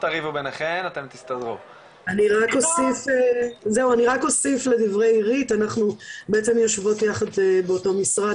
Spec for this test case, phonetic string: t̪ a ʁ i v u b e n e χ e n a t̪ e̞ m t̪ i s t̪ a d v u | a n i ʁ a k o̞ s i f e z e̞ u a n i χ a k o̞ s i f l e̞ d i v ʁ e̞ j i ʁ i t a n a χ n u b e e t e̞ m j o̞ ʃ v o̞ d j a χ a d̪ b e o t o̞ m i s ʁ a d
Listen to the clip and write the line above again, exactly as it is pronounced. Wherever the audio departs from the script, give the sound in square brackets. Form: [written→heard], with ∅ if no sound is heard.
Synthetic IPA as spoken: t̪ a ʁ i v u b e n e χ e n a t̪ e̞ m t̪ i s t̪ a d [v→ʁ] u | a n i ʁ a k o̞ s i f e z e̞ u a n i [χ→ʁ] a k o̞ s i f l e̞ d i v ʁ e̞ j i ʁ i t a n a χ n u b e e [t→t͡s] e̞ m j o̞ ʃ v o̞ [d→t] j a χ a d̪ b e o t o̞ m i s ʁ a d